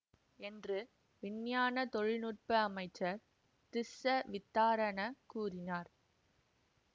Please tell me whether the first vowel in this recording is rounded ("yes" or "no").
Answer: no